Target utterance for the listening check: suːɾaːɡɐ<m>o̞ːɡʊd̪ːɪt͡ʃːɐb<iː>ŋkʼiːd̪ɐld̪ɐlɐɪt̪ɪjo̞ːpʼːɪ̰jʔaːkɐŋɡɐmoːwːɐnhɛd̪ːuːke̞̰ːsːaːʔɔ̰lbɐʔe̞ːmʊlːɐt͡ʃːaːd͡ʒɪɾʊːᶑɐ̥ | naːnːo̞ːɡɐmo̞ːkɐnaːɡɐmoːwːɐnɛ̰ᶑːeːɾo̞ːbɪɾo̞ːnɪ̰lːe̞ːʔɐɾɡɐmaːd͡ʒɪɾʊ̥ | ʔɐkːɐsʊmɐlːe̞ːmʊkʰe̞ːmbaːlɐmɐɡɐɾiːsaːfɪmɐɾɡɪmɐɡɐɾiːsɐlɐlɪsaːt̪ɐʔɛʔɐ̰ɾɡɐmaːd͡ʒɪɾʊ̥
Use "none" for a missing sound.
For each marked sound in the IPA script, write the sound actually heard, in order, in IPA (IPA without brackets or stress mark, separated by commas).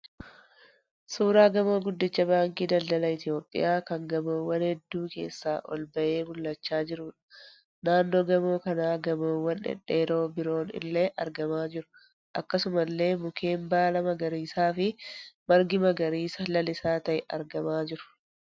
m, aː